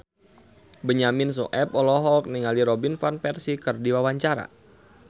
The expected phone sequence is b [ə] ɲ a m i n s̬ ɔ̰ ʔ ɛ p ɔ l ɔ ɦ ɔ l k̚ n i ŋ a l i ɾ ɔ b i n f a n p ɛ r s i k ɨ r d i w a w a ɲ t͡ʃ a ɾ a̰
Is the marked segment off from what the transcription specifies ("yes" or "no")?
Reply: no